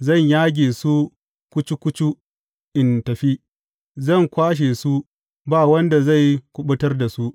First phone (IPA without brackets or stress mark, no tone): z